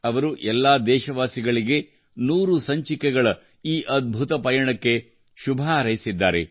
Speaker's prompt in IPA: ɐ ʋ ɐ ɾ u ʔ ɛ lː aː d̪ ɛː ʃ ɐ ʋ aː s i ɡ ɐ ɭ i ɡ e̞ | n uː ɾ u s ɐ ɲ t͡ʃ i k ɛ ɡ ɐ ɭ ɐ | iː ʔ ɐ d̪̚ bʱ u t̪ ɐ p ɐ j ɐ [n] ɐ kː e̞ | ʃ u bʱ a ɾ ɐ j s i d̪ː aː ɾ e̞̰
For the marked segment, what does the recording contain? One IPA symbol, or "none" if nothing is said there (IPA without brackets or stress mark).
ɳ